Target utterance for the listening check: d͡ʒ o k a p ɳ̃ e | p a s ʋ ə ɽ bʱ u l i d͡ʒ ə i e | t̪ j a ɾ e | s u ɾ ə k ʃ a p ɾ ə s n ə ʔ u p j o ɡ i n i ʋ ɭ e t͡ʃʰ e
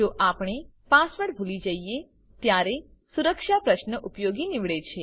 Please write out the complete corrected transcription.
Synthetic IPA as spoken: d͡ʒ o ʔ a p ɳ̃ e | p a s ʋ ə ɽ bʱ u l i d͡ʒ ə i e | t̪ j a ɾ e | s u ɾ ə k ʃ a p ɾ ə ʃ n ə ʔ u p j o ɡ i n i ʋ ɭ e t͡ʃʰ e